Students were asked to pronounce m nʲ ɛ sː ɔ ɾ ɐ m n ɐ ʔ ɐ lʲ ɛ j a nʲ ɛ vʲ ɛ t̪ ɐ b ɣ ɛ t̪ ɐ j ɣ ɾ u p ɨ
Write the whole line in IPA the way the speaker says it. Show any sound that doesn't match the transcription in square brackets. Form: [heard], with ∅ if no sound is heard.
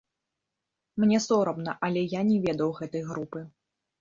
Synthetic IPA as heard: m nʲ ɛ [s] ɔ ɾ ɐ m n ɐ ʔ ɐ lʲ ɛ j a nʲ ɛ vʲ ɛ [d̪] ɐ [w] ɣ ɛ t̪ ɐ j ɣ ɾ u p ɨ